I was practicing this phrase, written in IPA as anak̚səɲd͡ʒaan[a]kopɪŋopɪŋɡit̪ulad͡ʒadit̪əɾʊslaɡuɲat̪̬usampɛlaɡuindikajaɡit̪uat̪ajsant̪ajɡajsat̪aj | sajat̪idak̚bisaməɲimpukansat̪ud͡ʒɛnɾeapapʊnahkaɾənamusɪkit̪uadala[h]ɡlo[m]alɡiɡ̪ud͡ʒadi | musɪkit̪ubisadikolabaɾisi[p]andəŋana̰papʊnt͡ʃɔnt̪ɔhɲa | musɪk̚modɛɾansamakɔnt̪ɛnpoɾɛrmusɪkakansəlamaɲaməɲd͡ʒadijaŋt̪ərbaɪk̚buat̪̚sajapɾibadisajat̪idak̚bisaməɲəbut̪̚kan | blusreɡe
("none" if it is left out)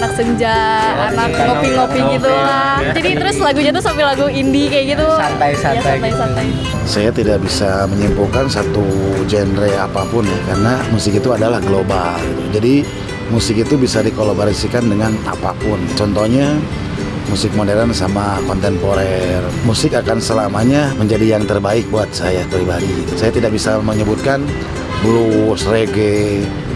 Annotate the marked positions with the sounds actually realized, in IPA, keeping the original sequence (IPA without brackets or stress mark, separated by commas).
a, h, b, k